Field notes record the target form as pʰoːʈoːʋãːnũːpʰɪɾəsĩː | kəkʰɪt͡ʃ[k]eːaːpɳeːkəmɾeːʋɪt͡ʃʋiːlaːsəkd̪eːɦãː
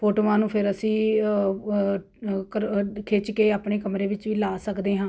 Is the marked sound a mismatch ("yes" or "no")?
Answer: no